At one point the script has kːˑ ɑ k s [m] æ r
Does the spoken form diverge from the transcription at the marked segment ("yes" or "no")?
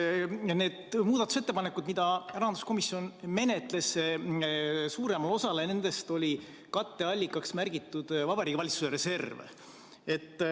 no